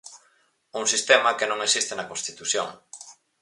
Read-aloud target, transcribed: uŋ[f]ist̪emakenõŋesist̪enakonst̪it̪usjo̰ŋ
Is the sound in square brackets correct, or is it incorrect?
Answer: incorrect: s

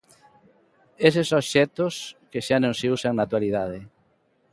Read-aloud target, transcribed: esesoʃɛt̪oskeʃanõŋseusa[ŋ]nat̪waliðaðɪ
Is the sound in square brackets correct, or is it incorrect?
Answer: correct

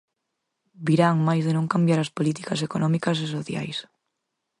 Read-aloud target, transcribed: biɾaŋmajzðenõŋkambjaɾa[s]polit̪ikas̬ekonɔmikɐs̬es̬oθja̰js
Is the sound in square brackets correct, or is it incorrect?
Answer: correct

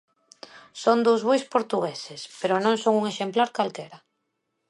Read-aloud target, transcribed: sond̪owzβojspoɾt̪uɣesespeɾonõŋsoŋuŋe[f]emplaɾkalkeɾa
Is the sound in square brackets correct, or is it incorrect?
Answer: incorrect: ʃ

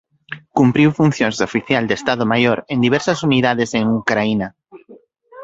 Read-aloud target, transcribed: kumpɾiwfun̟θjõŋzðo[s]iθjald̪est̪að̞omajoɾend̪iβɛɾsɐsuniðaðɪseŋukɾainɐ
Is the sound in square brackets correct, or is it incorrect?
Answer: incorrect: f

